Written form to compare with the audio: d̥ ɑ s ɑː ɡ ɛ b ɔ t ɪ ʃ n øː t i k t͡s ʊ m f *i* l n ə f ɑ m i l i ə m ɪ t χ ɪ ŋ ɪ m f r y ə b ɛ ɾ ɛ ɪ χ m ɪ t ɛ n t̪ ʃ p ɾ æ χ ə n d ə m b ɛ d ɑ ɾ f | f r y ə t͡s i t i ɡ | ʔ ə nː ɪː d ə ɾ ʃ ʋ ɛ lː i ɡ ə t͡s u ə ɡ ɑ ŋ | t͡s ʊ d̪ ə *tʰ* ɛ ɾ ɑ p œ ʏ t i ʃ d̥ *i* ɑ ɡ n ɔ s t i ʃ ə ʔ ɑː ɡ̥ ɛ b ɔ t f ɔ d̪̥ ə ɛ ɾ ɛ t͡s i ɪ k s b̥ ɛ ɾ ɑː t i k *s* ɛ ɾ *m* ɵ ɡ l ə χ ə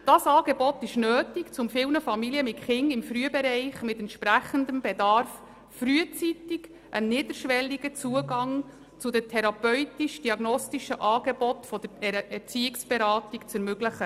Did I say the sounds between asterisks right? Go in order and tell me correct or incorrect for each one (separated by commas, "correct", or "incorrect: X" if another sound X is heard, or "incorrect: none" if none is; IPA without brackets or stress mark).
incorrect: ɪ, correct, correct, incorrect: t͡s, correct